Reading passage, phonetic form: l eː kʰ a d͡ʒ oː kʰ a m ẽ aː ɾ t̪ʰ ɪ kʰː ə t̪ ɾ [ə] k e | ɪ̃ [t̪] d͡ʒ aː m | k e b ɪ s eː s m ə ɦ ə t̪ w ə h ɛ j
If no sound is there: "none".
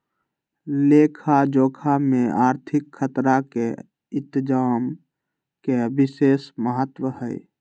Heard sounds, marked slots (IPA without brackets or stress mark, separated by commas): a, t̪